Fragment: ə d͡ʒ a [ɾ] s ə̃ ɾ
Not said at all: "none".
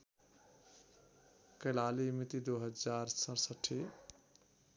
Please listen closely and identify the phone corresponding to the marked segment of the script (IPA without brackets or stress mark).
ɾ